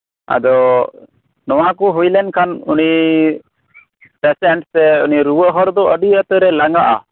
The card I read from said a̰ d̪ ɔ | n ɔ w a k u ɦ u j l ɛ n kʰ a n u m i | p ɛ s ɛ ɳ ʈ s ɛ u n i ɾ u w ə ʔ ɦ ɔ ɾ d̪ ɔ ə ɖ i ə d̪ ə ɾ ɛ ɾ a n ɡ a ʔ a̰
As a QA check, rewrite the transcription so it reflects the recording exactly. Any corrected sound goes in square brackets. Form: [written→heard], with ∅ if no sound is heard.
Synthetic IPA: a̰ d̪ ɔ | n ɔ w a k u ɦ u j l ɛ n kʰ a n u [m→n] i | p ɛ s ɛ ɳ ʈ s ɛ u n i ɾ u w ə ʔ ɦ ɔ ɾ d̪ ɔ ə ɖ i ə [d̪→t̪] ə ɾ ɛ [ɾ→l] a [n→ŋ] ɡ a ʔ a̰